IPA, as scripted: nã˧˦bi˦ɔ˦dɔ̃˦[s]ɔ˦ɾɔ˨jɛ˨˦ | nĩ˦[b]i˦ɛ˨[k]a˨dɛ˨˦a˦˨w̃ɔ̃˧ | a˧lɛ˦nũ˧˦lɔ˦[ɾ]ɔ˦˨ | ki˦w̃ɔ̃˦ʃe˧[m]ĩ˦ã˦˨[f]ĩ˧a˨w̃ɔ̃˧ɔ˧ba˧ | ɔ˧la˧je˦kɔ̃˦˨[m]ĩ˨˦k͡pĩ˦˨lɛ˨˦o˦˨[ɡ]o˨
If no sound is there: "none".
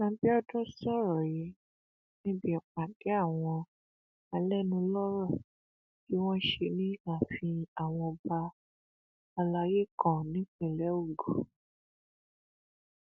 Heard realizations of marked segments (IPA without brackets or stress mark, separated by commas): s, b, k͡p, ɾ, n, f, n, ɡ